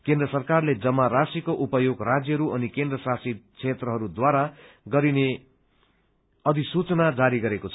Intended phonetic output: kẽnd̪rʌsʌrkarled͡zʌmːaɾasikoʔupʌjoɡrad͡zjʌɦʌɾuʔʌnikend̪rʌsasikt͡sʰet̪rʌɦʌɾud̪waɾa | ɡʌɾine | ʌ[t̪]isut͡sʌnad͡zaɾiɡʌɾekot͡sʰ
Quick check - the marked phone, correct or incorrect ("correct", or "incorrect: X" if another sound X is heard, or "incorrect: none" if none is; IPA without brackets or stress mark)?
incorrect: d̪